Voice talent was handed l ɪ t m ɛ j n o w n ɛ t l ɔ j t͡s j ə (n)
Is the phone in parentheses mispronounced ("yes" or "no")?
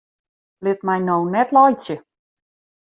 yes